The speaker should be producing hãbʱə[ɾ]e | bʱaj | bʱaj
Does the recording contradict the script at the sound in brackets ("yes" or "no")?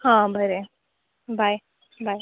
no